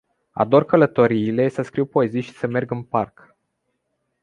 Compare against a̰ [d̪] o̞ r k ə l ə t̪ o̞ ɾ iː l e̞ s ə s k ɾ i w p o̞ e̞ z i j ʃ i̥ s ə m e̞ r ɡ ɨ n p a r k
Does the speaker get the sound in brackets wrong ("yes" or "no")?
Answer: no